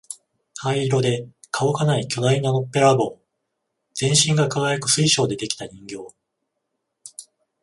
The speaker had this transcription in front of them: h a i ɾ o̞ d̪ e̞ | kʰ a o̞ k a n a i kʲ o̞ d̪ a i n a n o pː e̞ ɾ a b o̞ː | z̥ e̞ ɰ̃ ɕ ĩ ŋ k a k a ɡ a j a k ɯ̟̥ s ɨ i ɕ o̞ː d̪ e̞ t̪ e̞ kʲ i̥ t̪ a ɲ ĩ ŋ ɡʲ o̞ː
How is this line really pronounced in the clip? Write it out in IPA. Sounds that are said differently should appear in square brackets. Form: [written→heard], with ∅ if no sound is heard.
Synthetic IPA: h a i ɾ o̞ d̪ e̞ | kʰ a o̞ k a n a i kʲ o̞ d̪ a i n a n o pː e̞ ɾ a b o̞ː | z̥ [e̞→ẽ̞] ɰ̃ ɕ ĩ ŋ [k→ɡ] a k a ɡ a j a k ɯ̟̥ s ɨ i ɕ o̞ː d̪ e̞ [t̪→d̪] e̞ kʲ i̥ t̪ a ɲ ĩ ŋ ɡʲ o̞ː